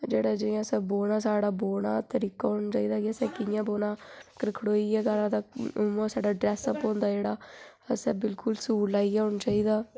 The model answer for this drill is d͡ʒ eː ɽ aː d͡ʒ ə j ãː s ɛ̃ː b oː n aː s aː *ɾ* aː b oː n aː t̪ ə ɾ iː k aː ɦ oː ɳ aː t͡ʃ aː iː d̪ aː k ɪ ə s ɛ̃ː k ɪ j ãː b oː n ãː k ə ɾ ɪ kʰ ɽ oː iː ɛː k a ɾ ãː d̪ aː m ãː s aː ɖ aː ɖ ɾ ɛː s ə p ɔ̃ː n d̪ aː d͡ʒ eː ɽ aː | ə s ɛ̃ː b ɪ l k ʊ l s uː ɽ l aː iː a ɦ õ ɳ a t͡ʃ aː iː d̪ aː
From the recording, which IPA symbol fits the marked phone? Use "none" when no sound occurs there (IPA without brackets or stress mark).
ɽ